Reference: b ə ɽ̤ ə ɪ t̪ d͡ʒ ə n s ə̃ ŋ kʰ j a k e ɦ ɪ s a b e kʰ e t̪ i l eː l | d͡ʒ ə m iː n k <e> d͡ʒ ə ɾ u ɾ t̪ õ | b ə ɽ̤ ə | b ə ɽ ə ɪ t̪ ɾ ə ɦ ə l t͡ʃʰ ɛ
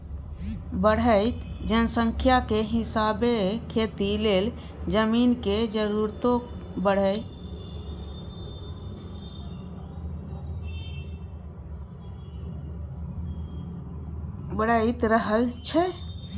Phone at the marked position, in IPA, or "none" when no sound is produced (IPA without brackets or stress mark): e